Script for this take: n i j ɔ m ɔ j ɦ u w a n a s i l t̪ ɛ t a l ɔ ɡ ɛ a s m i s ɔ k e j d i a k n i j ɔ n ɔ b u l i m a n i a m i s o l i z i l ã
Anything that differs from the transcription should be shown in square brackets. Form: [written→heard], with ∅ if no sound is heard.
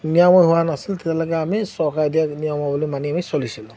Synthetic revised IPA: n i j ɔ m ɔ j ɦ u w a n a s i l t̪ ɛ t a l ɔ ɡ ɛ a [s→∅] m i s ɔ k [e→a] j d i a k n i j ɔ [n→m] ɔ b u l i m a n i a m i s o l i [z→s] i l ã